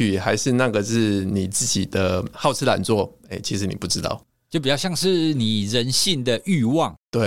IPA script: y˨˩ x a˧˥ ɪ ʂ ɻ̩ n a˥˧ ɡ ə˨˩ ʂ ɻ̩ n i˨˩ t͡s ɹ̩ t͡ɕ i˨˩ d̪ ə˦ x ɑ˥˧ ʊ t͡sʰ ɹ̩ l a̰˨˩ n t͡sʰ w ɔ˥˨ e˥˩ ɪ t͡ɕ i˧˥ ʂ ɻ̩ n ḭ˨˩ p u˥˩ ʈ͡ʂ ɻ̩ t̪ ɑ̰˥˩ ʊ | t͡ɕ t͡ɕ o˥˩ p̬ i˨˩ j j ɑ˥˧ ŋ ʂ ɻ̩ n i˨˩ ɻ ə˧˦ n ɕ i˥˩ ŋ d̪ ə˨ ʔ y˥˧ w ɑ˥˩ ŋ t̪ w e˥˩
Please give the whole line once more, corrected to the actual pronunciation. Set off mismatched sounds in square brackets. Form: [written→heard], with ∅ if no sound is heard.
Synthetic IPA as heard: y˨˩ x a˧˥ ɪ ʂ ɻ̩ n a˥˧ ɡ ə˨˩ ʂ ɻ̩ n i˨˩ t͡s ɹ̩ t͡ɕ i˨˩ d̪ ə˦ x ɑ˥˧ ʊ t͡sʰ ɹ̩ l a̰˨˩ n [t͡sʰ→t͡s] w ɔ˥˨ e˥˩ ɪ [t͡ɕ→t͡ɕʰ] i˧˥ ʂ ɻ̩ n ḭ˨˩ p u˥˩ ʈ͡ʂ ɻ̩ t̪ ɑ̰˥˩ ʊ | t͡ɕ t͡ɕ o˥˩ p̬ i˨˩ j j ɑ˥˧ ŋ ʂ ɻ̩ n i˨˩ ɻ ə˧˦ n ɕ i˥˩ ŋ d̪ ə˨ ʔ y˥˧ w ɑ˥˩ ŋ t̪ w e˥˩